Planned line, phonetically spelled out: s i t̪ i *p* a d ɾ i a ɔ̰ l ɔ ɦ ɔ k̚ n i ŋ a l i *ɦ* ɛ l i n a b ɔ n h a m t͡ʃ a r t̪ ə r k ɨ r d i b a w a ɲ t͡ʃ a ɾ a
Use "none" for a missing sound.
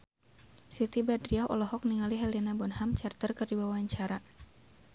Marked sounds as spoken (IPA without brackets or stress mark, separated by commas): b, ɦ